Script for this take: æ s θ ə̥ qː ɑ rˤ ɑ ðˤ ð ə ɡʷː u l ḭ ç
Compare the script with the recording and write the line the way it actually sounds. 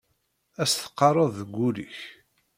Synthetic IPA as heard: æ s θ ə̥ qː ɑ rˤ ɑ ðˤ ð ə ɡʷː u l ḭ ç